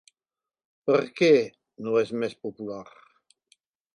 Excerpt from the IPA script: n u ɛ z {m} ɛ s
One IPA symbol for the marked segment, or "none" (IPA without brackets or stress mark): m